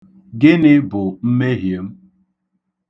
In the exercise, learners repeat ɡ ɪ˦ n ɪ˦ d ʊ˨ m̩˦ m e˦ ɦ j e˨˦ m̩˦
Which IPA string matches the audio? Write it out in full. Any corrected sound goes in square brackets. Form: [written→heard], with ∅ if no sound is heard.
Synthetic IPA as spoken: ɡ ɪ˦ n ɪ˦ [d→b] ʊ˨ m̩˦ m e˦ ɦ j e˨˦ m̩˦

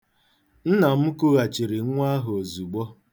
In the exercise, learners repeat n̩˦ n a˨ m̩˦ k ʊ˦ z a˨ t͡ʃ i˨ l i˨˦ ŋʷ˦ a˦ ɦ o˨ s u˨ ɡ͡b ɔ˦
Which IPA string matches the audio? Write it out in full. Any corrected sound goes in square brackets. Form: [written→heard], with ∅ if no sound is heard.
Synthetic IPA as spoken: n̩˦ n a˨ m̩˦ k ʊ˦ [z→ɣ] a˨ t͡ʃ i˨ [l→ɾ] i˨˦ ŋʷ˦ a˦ ɦ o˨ [s→z] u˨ ɡ͡b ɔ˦

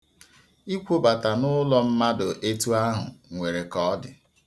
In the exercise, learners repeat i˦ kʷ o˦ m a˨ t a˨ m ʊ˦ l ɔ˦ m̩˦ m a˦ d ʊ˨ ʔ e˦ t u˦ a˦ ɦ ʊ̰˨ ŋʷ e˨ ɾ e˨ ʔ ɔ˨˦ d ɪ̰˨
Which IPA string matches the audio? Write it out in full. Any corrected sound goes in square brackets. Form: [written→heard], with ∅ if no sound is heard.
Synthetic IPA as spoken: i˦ kʷ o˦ [m→b] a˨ t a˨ [m→n] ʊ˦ l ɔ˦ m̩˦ m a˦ d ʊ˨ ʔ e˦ t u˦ a˦ ɦ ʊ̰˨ ŋʷ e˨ ɾ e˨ [ʔ→k] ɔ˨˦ d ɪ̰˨

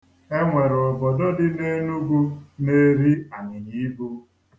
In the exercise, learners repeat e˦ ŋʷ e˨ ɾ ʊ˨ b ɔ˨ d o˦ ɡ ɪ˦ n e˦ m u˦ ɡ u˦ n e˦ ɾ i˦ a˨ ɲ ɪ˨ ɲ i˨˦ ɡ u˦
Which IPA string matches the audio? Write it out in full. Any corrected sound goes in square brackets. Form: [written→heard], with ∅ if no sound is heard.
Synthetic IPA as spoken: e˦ ŋʷ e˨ ɾ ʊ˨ b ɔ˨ d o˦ [ɡ→d] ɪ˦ n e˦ [m→n] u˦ ɡ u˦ n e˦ ɾ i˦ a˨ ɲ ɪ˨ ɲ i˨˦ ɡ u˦

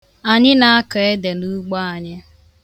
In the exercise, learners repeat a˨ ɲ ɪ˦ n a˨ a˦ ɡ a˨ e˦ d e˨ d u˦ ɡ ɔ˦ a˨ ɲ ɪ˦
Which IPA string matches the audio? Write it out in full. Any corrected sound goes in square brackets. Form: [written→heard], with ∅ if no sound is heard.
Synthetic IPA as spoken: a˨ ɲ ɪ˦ n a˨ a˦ [ɡ→k] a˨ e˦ d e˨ [d→n] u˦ [ɡ→ɡ͡b] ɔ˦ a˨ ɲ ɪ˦

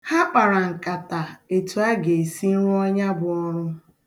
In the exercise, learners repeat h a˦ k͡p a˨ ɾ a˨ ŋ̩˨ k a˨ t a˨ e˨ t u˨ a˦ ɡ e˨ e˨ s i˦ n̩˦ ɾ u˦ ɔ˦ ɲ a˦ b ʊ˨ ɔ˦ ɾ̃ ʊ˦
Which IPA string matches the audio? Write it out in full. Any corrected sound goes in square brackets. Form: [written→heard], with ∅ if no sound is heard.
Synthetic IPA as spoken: h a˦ k͡p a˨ ɾ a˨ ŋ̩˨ k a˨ t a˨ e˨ t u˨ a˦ ɡ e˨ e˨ s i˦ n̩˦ ɾ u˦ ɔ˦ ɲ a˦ b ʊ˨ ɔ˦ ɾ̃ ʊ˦

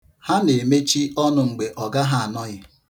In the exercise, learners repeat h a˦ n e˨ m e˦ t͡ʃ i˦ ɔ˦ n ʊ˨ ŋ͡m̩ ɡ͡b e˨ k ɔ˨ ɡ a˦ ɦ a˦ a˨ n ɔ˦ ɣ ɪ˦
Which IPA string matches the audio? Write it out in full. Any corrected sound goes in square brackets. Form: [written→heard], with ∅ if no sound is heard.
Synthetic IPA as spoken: h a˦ n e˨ m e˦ t͡ʃ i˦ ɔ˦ n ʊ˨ ŋ͡m̩ ɡ͡b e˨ [k→ʔ] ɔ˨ ɡ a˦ ɦ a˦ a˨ n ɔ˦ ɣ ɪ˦

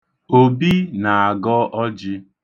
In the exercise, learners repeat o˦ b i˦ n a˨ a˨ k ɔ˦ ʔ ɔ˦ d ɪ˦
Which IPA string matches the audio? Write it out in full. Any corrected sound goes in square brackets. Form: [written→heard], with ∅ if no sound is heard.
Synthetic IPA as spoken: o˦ b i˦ n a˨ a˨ [k→ɡ] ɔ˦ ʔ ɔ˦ [d→d͡ʒ] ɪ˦

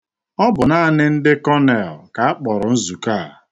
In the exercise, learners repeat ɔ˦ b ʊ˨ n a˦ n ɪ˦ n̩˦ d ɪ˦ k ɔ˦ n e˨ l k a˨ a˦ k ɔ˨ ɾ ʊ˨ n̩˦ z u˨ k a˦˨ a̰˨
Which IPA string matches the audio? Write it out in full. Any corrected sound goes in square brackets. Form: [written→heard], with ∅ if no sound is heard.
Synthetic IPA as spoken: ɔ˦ b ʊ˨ n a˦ n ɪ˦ n̩˦ d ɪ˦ k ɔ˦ n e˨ l k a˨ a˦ [k→k͡p] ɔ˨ ɾ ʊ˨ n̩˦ z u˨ k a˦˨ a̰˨

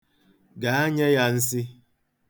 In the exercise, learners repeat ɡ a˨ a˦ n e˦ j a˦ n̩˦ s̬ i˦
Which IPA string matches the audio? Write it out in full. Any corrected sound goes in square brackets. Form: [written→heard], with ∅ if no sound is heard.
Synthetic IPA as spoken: ɡ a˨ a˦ [n→ɲ] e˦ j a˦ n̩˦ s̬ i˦

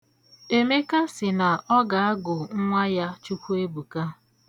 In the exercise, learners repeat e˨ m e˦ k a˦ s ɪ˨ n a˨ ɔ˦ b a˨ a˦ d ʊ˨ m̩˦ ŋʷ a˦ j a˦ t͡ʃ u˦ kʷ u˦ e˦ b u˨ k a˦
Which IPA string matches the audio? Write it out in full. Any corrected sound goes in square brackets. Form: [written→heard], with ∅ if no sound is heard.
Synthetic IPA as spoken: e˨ m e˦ k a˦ s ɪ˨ n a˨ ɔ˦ [b→ɡ] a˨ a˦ [d→ɡ] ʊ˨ [m̩˦→ŋ̩˦] ŋʷ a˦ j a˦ t͡ʃ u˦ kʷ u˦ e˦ b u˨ k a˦

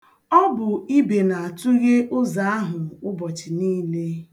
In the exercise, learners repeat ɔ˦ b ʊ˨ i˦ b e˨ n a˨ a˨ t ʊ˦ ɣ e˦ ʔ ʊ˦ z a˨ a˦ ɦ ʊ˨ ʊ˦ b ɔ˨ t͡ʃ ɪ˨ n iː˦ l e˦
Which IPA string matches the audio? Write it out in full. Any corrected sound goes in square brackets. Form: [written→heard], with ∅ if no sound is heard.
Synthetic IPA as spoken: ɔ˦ b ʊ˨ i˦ b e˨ n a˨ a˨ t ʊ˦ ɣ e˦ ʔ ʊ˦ z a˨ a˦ ɦ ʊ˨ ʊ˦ b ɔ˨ t͡ʃ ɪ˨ n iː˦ l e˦

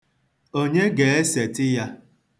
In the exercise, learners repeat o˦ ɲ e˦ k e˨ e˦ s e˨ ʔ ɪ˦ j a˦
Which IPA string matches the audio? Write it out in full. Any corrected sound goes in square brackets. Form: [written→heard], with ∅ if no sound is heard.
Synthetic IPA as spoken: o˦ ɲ e˦ [k→ɡ] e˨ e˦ s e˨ [ʔ→t] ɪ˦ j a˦

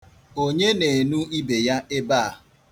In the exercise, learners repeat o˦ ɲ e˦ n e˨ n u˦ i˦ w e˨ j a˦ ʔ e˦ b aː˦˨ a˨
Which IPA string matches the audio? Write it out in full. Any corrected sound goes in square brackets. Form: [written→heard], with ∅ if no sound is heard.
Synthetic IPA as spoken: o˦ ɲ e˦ n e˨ n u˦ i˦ [w→b] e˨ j a˦ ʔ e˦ b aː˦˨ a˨

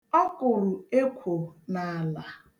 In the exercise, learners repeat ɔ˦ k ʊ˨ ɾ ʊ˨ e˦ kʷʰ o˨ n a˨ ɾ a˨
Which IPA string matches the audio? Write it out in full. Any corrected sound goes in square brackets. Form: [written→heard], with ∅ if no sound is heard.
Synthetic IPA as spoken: ɔ˦ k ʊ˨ ɾ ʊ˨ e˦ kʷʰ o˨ n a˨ [ɾ→l] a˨

